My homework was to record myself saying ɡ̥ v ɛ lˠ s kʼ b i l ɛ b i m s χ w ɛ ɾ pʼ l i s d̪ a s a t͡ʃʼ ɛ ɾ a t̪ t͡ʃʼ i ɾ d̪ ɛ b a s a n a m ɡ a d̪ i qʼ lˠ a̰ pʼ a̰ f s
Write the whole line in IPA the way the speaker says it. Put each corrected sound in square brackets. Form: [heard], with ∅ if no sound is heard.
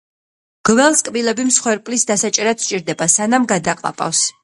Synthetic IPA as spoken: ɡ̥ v ɛ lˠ s kʼ b i l ɛ b i m s χ w ɛ ɾ pʼ l i s d̪ a s a t͡ʃʼ ɛ ɾ a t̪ t͡ʃʼ i ɾ d̪ ɛ b a s a n a m ɡ a d̪ [a] qʼ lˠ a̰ pʼ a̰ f s